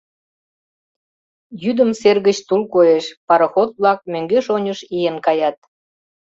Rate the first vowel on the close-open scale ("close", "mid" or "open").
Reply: close